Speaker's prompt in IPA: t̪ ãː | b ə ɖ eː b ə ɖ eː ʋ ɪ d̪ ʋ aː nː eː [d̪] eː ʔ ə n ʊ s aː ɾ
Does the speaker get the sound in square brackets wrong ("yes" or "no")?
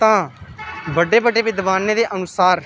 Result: no